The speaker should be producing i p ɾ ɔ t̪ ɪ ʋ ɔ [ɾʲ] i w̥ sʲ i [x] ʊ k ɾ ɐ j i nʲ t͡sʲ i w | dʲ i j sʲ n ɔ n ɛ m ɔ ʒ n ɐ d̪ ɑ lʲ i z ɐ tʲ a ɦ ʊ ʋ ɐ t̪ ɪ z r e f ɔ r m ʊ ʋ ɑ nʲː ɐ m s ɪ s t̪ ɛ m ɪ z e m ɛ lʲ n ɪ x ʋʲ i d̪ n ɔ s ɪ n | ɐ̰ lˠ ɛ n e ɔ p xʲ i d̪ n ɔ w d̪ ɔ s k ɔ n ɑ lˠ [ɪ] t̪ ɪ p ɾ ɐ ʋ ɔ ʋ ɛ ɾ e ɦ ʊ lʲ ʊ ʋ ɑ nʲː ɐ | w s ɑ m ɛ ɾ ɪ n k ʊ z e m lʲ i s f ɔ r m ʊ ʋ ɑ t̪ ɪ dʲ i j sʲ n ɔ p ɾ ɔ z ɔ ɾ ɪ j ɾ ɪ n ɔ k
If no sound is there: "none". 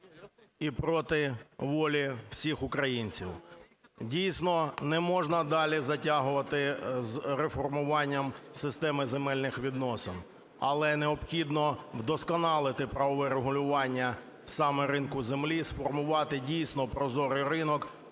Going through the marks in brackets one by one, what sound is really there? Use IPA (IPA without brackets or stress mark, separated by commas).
lʲ, x, ɪ